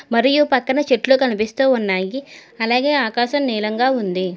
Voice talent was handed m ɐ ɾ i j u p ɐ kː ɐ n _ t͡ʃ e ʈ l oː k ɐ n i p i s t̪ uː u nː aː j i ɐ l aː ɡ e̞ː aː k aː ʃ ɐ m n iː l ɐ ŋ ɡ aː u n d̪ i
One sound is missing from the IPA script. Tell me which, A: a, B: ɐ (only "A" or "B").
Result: B